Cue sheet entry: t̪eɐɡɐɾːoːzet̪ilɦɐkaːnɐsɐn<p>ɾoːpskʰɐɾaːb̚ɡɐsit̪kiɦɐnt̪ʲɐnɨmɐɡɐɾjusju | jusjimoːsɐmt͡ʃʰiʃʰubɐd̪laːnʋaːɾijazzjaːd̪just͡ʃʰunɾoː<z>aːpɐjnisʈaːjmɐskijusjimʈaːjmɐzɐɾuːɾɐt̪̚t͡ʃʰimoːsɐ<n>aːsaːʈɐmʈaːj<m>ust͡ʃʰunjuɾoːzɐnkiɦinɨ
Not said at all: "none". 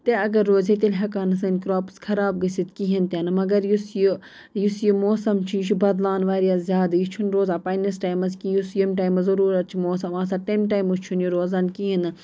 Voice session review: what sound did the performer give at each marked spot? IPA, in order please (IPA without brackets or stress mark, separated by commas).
k, z, m, m